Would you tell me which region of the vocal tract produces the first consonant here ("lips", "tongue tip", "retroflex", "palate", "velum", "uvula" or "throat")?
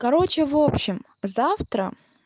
velum